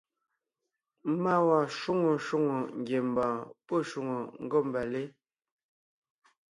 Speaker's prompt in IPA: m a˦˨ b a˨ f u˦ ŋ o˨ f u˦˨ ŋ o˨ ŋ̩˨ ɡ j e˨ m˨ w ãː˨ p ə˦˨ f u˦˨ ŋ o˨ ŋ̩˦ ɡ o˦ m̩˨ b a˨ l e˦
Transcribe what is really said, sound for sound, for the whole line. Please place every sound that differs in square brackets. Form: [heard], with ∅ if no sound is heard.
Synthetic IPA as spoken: m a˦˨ [w] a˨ [ʃ] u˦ ŋ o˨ [ʃ] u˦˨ ŋ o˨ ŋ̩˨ ɡ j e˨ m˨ [b] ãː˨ p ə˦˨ [ʃ] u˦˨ ŋ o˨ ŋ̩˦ ɡ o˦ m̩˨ b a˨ l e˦